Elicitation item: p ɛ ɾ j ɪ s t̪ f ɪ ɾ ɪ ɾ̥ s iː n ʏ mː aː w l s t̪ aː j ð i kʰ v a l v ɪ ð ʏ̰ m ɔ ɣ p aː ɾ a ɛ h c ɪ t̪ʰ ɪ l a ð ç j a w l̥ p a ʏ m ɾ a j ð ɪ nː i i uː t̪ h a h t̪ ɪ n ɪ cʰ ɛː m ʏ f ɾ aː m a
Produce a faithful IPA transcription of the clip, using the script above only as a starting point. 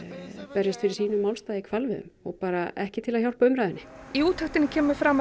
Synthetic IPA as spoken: p ɛ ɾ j ɪ s t̪ f ɪ ɾ ɪ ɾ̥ s iː n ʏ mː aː w l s t̪ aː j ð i kʰ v a l v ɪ ð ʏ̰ m ɔ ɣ p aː ɾ a ɛ h c ɪ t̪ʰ ɪ l a ð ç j a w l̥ p a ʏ m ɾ a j ð ɪ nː ɪ i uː t̪ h a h t̪ ɪ n ɪ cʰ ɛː m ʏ f ɾ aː m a